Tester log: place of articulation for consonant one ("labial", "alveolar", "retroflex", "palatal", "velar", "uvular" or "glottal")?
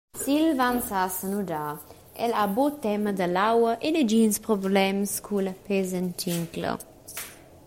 alveolar